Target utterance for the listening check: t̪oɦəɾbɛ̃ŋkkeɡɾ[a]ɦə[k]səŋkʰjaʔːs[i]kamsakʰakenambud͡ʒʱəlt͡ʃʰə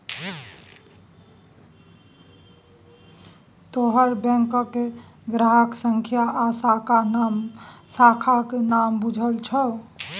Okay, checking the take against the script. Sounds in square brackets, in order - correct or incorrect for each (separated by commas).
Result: correct, correct, incorrect